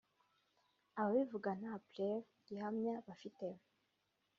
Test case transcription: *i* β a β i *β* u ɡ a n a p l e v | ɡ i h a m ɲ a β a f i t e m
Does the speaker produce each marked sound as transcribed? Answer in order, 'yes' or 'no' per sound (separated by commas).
no, no